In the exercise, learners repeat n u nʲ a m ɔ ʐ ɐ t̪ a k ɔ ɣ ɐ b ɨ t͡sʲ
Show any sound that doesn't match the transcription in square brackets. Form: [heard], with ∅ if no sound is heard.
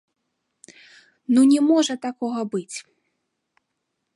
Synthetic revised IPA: n u nʲ [ɛ] m ɔ ʐ ɐ t̪ a k ɔ ɣ ɐ b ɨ t͡sʲ